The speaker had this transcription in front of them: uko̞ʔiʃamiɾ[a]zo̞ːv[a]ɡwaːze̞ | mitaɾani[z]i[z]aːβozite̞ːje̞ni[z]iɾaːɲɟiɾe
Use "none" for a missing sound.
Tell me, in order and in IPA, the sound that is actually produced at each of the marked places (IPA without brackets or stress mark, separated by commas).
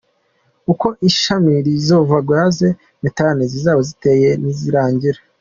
i, a, z, z, z